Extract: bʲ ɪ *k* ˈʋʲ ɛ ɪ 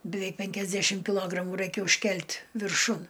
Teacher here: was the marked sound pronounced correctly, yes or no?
no